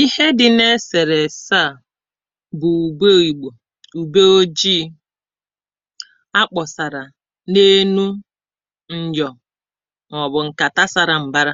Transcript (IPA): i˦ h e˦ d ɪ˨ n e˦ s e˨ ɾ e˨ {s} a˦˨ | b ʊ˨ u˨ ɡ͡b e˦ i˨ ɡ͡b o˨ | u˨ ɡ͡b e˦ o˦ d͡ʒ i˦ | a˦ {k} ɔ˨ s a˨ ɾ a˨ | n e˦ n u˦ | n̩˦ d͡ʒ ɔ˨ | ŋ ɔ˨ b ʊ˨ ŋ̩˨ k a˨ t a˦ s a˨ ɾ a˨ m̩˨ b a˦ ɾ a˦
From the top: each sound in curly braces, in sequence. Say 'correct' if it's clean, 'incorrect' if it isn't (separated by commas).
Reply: correct, incorrect